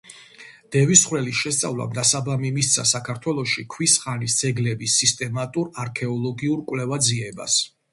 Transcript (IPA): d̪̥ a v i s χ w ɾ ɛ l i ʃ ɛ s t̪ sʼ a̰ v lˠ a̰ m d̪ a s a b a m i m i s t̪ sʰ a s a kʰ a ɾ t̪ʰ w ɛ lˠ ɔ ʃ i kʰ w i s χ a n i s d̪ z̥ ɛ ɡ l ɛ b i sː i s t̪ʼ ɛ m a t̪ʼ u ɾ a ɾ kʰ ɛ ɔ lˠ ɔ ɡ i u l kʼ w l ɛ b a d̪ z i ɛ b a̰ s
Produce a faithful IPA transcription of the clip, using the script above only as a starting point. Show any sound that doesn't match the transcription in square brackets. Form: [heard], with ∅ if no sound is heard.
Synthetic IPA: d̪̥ [ɛ] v i s χ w ɾ ɛ l i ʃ ɛ s t̪ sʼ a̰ v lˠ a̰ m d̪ a s a b a m i m i s t̪ sʰ a s a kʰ a ɾ t̪ʰ w ɛ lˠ ɔ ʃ i kʰ w i s χ a n i s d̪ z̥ ɛ ɡ l ɛ b i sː i s t̪ʼ ɛ m a t̪ʼ u ɾ a ɾ kʰ ɛ ɔ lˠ ɔ ɡ i u [ɾ] kʼ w l ɛ [v] a d̪ z i ɛ b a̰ s